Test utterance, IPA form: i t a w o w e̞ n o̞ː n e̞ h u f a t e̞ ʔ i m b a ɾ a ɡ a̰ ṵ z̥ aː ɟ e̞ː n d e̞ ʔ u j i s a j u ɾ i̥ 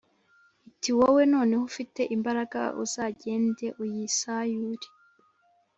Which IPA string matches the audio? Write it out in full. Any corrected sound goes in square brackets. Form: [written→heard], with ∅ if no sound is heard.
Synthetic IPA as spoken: i t [a→i] w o w e̞ n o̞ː n e̞ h u f [a→i] t e̞ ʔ i m b a ɾ a ɡ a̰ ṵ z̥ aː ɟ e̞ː n d e̞ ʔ u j i s a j u ɾ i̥